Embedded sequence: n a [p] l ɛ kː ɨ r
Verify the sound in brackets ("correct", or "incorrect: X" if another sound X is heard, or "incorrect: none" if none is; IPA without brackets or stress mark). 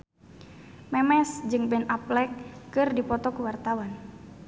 correct